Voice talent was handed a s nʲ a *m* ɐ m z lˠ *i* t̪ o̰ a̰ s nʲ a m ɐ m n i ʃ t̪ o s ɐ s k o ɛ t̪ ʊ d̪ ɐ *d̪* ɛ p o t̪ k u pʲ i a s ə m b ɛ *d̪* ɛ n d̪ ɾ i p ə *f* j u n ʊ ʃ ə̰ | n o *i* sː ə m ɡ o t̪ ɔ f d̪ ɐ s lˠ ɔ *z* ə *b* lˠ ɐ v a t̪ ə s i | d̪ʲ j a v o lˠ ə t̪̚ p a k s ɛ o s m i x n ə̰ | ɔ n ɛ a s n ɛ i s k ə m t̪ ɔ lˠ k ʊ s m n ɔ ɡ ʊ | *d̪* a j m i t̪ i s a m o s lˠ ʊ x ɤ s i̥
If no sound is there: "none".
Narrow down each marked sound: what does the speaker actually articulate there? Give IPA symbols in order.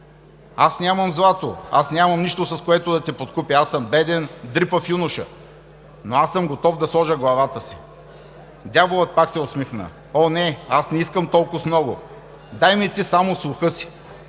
m, a, t̪, d̪, f, a, ʒ, ɡ, d̪

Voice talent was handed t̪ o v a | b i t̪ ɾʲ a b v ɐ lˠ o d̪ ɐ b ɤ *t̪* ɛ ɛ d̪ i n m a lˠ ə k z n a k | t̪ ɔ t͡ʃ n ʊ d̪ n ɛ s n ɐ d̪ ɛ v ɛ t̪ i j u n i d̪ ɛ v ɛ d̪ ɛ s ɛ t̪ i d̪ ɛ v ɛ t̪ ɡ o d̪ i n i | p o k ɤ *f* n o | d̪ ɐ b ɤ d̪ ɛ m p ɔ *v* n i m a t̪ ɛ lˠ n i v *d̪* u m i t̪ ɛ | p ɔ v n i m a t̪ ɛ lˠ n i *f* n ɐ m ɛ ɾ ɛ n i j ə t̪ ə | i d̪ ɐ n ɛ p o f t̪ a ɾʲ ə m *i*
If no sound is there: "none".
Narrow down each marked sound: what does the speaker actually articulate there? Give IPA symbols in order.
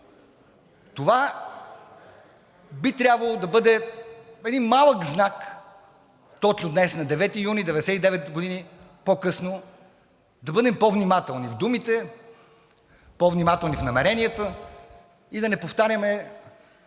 d̪, s, v, d̪, f, ɛ

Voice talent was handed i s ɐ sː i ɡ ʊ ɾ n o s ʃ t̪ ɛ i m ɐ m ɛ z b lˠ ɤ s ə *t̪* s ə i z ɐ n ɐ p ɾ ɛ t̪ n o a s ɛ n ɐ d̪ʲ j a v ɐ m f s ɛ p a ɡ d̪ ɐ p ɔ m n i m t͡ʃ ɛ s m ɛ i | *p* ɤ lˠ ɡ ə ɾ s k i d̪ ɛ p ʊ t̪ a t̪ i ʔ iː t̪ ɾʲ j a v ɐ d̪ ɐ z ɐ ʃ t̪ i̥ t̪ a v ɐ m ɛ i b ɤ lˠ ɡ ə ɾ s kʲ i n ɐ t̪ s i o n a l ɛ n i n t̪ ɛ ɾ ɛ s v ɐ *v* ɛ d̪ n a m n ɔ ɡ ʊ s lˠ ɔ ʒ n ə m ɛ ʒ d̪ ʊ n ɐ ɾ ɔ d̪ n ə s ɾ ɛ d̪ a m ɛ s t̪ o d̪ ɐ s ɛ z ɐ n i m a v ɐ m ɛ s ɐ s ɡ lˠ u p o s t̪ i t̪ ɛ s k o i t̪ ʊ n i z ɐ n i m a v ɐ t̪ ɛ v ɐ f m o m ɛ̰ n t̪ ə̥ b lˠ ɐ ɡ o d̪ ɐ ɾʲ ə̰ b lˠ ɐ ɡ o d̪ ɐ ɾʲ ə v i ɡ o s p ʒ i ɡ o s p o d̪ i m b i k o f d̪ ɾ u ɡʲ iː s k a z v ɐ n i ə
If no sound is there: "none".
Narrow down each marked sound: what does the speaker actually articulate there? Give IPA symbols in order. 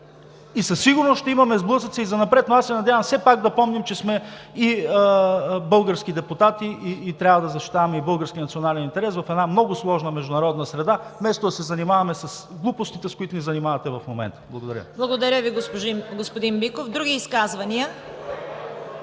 t̪, b, f

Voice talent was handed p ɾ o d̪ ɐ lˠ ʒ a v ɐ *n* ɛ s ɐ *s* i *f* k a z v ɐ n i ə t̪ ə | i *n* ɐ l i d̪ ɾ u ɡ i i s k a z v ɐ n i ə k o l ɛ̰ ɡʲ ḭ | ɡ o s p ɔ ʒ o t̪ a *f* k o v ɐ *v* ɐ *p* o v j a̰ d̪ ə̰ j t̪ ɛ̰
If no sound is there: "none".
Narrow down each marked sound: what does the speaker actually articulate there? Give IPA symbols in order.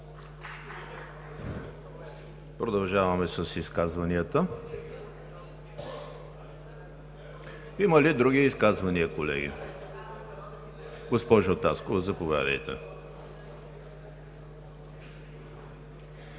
m, s, s, m, s, z, p

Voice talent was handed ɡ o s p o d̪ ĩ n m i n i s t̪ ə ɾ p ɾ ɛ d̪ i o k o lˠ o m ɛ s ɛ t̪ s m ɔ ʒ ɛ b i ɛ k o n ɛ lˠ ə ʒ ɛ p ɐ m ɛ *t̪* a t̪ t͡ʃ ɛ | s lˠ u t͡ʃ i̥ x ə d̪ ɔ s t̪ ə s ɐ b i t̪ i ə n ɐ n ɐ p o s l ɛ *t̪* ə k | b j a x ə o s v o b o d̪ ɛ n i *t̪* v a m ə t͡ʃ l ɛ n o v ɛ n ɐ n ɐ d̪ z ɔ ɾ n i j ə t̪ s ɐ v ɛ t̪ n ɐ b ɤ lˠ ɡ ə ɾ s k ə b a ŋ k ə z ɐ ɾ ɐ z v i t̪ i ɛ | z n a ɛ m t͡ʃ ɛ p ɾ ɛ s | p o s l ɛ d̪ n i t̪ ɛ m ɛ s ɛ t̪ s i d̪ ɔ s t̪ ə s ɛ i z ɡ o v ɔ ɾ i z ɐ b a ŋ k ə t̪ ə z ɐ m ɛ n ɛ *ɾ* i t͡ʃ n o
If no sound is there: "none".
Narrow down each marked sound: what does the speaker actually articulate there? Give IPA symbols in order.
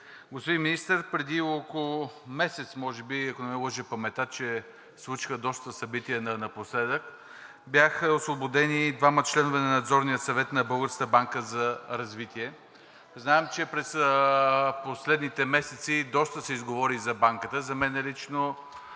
t̪, d̪, d̪, l

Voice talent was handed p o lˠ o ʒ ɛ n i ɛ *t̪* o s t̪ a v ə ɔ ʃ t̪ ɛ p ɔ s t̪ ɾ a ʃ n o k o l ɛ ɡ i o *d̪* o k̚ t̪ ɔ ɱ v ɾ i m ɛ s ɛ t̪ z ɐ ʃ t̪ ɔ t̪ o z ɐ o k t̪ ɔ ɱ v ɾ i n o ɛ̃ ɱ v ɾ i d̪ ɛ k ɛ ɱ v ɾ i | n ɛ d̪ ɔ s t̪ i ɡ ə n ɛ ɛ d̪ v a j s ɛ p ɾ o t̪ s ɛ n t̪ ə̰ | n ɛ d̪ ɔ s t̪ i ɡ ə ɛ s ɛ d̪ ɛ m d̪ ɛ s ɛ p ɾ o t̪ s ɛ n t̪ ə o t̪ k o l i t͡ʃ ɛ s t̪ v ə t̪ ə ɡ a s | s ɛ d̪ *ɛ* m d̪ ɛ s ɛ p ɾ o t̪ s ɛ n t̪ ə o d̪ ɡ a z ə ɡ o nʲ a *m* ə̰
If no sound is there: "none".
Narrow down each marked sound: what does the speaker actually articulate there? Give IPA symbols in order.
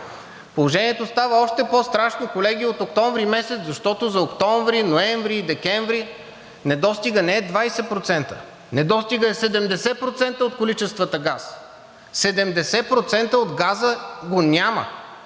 t̪, t̪, ɛ, m

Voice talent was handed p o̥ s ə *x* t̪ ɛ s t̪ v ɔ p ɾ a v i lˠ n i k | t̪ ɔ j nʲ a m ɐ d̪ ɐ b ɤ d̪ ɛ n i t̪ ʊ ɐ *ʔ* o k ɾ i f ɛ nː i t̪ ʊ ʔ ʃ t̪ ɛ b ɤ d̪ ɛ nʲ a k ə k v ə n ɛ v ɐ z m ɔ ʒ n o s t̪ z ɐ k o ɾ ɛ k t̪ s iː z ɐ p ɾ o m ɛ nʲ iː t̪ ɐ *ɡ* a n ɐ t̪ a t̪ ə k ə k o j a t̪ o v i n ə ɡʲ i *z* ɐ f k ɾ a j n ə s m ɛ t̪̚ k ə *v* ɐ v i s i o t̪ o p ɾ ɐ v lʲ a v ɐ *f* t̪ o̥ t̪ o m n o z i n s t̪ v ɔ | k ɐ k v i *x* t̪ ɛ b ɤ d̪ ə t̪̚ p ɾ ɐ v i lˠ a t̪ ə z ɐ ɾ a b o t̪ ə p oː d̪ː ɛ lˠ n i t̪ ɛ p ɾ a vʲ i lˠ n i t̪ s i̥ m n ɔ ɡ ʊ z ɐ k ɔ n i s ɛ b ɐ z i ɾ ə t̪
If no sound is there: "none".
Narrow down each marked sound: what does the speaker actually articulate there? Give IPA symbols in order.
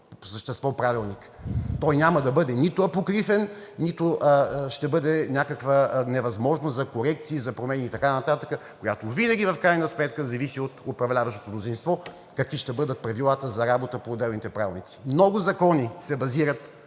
ʃ, p, k, v, z, ʃ, ʃ

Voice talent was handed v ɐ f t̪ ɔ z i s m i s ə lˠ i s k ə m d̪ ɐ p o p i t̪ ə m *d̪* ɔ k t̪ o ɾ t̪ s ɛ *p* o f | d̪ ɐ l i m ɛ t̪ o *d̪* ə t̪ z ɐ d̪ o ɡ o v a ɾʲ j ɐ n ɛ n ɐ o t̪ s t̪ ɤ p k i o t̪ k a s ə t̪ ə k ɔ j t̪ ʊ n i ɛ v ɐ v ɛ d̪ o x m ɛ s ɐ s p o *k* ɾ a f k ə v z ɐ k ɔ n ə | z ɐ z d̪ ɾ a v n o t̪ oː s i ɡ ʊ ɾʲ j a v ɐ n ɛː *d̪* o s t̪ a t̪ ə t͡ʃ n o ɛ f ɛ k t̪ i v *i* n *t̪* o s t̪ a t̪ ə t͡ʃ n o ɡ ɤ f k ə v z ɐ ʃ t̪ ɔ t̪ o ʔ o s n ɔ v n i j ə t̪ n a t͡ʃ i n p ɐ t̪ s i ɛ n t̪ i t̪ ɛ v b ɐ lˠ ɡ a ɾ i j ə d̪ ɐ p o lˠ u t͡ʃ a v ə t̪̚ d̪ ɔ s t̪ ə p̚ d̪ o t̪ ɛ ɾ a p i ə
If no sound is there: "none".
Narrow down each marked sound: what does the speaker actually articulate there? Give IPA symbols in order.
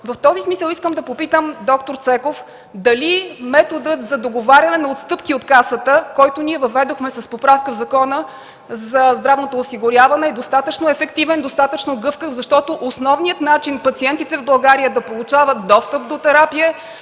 d̪, k, d̪, p, d̪, ɛ, d̪

